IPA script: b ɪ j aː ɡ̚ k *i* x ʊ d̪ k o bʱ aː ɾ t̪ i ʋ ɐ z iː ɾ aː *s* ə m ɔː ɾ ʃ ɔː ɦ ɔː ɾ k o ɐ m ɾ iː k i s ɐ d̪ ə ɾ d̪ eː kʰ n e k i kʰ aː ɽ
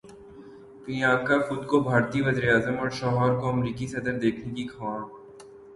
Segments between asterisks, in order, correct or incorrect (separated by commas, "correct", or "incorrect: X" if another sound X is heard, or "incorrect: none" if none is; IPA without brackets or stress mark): incorrect: a, incorrect: z